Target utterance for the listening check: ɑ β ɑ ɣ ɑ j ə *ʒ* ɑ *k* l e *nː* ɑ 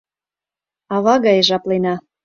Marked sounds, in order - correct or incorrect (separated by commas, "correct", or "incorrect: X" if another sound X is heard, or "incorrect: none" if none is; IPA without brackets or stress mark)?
correct, incorrect: p, incorrect: n